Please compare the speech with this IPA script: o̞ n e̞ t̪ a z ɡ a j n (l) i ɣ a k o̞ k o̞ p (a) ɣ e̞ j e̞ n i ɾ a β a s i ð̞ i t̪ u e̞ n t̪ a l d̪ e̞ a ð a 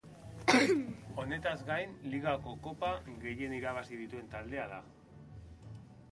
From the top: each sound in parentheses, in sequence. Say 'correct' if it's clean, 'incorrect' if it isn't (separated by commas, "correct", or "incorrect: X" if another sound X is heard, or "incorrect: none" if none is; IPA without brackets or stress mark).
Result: correct, correct